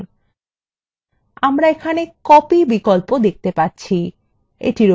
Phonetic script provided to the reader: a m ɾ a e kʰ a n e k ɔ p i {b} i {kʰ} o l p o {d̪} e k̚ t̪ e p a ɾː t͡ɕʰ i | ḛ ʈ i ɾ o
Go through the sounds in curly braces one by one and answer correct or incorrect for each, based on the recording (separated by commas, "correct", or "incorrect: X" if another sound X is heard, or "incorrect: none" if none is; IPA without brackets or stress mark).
correct, incorrect: k, correct